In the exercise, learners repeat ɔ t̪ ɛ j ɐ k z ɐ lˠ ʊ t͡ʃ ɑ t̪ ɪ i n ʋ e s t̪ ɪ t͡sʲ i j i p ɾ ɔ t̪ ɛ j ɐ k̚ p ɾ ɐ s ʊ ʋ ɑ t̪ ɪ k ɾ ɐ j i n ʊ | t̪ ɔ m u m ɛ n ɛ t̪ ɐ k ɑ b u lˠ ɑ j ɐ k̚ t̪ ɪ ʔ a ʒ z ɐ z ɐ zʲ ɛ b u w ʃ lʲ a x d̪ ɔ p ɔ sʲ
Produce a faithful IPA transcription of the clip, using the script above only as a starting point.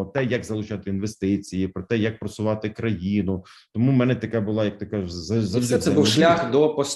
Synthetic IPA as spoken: ɔ t̪ ɛ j ɐ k z ɐ lˠ ʊ t͡ʃ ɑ t̪ ɪ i n ʋ e s t̪ ɪ t͡sʲ i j i p ɾ ɔ t̪ ɛ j ɐ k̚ p ɾ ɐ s ʊ ʋ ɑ t̪ ɪ k ɾ ɐ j i n ʊ | t̪ ɔ m u m ɛ n ɛ t̪ ɐ k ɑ b ʊ lˠ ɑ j ɐ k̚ t̪ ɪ k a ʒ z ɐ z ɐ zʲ ɛ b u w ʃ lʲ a x d̪ ɔ p ɔ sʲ